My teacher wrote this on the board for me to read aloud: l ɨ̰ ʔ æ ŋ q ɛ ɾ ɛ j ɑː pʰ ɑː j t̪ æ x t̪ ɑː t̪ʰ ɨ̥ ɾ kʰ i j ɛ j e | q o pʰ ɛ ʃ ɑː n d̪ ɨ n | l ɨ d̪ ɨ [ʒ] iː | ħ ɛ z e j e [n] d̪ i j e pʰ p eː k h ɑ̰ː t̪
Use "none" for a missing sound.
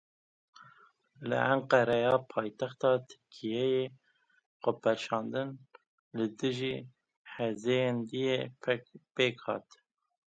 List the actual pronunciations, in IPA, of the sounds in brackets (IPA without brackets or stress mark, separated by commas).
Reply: ʒ, n